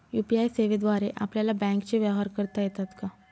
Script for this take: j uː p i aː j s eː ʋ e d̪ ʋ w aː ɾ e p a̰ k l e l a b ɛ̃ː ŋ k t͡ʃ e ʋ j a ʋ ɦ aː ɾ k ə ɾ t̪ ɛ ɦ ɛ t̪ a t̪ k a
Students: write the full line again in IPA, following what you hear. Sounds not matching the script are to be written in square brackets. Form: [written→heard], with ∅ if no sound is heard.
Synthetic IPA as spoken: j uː p i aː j s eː ʋ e d̪ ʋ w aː ɾ e [p→ʔ] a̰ [k→p] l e l a b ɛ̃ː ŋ k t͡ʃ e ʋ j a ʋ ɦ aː ɾ k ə ɾ t̪ [ɛ→a] ɦ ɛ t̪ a t̪ k a

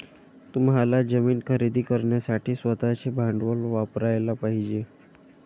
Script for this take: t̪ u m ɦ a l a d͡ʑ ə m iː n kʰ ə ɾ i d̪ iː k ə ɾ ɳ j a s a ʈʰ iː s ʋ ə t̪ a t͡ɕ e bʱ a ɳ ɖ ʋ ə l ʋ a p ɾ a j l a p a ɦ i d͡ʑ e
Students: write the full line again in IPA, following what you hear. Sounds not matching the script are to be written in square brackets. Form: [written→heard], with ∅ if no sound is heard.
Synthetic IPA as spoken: t̪ u m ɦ a l a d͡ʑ ə m iː n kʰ ə ɾ i d̪ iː k ə ɾ ɳ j a s a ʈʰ iː s ʋ ə t̪ a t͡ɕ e bʱ a ɳ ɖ ʋ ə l ʋ a p ɾ a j l a p a ɦ i d͡ʑ e

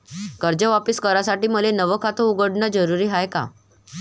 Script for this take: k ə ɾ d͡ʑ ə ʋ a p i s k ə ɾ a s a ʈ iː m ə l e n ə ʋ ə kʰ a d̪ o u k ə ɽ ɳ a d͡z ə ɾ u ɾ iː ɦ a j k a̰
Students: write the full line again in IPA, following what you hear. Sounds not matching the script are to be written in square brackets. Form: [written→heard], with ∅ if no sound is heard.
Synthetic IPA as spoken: k ə ɾ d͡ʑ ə ʋ a p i s k ə ɾ a s a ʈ iː m ə l e n ə ʋ ə kʰ a [d̪→t̪] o u [k→ɡ] ə ɽ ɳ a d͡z ə ɾ u ɾ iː ɦ a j k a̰

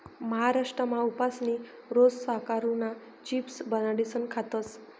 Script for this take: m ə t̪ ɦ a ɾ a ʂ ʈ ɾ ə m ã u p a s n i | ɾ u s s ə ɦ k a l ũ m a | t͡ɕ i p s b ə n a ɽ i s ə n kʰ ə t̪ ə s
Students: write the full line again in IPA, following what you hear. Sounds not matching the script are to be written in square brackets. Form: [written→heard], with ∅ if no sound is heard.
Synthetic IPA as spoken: m ə [t̪→∅] ɦ a ɾ a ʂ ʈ ɾ ə m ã u p a s n i | ɾ [u→o] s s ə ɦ k a [l→ɾ] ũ [m→n] a | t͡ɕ i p s b ə n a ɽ i s ə n kʰ [ə→a] t̪ ə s

